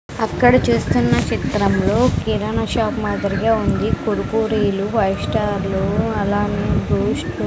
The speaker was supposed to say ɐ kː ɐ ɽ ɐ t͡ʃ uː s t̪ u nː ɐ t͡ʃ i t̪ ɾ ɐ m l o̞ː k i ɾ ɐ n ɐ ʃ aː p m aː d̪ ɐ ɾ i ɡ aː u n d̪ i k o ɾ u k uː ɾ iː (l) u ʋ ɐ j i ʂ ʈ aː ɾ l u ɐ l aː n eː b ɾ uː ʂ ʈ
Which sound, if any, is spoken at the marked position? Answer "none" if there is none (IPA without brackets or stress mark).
l